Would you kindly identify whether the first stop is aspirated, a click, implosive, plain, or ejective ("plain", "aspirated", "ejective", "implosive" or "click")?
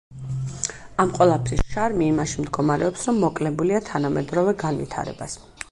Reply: ejective